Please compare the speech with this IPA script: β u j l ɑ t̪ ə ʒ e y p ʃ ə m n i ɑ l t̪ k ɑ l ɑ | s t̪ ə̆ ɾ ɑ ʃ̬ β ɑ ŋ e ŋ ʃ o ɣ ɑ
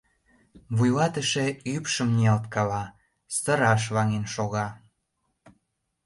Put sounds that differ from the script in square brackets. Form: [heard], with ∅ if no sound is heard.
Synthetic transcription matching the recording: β u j l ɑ t̪ ə [ʃ] e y p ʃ ə m n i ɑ l t̪ k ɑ l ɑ | s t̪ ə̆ ɾ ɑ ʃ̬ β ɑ ŋ e [n] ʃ o ɣ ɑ